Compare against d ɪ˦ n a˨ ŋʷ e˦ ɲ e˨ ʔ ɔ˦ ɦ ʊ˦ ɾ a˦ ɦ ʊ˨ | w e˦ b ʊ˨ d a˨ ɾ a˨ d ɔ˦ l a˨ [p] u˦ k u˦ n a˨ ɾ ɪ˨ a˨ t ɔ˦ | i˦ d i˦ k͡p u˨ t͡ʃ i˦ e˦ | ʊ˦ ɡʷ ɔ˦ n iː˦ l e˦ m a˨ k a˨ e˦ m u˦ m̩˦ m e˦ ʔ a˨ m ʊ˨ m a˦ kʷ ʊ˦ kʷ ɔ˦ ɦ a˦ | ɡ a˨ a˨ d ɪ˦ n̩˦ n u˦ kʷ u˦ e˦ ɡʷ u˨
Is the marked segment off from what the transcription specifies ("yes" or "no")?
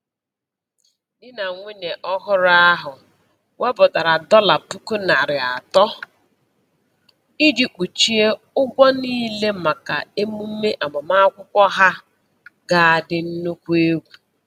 no